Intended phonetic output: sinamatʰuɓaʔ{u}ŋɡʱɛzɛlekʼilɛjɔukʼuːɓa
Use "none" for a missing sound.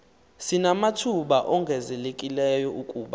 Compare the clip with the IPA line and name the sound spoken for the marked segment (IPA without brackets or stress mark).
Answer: ɔ